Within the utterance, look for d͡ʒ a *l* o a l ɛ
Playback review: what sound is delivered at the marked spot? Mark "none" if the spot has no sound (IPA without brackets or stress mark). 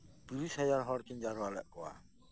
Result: ɾ